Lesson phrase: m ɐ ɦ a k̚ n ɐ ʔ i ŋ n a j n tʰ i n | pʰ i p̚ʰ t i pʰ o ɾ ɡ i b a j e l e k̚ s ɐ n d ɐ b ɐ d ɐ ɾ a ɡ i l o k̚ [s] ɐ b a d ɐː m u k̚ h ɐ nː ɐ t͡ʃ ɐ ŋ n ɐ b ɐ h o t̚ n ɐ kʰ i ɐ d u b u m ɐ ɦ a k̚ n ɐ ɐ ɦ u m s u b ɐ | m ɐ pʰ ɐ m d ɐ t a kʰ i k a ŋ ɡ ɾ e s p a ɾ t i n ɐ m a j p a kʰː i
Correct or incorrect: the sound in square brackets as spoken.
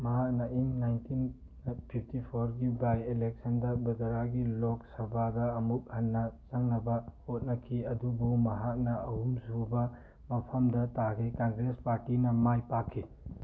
correct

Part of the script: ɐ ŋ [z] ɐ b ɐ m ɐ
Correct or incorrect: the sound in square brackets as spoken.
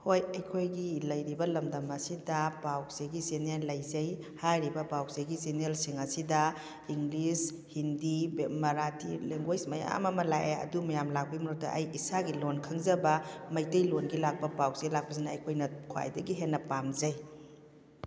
correct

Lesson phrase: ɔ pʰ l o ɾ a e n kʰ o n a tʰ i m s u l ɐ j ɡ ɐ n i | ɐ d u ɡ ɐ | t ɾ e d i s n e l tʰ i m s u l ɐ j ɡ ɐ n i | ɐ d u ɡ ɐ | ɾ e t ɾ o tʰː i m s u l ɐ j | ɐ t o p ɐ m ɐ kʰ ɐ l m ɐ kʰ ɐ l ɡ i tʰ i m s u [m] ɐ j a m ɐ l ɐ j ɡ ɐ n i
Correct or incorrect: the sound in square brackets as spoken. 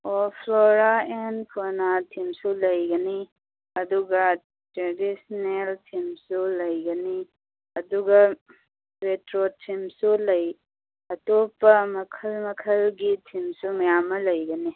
correct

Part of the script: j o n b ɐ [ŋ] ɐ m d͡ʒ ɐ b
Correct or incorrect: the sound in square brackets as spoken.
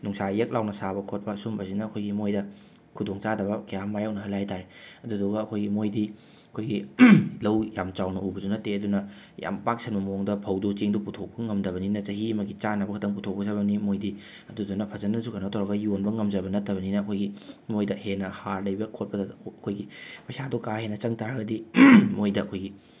correct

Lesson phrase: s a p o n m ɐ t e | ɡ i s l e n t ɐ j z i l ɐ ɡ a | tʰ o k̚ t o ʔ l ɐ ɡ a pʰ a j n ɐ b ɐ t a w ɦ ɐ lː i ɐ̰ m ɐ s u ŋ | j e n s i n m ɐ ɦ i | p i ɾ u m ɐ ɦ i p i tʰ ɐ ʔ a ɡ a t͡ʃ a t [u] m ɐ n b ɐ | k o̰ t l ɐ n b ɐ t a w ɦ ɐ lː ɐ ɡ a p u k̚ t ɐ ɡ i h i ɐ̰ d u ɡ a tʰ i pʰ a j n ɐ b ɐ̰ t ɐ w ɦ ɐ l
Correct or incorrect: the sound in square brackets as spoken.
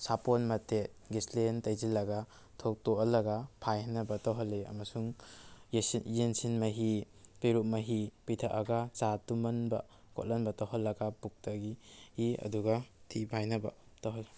correct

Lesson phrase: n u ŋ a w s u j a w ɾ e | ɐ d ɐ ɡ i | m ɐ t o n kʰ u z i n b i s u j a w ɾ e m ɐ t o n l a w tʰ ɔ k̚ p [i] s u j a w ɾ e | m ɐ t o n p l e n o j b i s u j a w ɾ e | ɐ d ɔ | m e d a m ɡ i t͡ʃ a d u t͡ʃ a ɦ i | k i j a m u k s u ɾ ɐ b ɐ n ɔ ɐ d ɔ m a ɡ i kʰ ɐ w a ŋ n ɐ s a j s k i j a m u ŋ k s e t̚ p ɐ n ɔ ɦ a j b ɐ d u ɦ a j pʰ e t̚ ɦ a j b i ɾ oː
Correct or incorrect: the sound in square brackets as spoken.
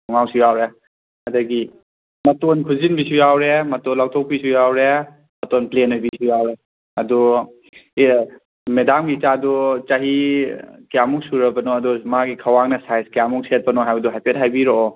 correct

